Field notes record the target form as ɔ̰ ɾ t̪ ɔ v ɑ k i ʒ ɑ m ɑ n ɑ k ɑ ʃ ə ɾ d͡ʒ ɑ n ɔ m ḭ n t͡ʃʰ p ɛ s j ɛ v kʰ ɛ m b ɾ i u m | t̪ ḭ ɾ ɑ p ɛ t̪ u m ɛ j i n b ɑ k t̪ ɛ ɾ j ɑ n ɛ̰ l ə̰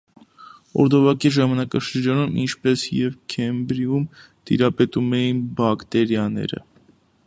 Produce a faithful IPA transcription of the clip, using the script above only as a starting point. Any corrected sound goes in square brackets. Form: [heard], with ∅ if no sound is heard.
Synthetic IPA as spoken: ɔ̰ ɾ [d̪] ɔ v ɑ k i ʒ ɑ m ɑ n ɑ k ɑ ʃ ə ɾ d͡ʒ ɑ n [u] m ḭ n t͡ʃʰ p ɛ s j ɛ v kʰ ɛ m b ɾ i u m | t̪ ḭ ɾ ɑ p ɛ t̪ u m ɛ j i n b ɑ k t̪ ɛ ɾ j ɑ n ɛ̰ [ɾ] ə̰